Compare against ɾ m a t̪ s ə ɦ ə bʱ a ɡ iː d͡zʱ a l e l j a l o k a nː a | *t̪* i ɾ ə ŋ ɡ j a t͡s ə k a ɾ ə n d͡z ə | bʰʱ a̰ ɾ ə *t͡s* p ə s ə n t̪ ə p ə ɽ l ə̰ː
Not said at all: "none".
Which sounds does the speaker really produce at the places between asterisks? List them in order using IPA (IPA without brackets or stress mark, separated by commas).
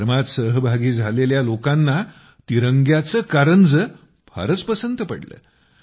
t̪, t͡s